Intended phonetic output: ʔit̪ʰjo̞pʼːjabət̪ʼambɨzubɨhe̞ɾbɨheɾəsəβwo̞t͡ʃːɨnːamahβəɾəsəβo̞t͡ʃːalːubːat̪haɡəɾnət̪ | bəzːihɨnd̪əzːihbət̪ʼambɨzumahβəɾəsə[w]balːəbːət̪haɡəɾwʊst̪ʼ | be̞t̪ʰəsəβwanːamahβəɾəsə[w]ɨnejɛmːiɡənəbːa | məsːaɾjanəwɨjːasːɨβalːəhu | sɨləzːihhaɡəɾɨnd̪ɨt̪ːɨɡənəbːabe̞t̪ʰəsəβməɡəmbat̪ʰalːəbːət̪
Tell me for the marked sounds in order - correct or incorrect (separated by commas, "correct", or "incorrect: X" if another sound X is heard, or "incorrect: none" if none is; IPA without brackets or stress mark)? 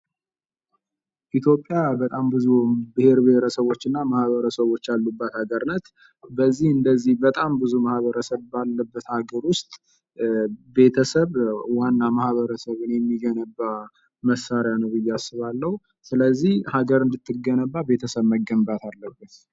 incorrect: β, incorrect: β